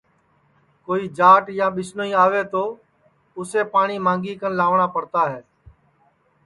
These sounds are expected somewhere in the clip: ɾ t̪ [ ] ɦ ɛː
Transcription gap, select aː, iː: aː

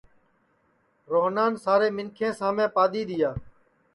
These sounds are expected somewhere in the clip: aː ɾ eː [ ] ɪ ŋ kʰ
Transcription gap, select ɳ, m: m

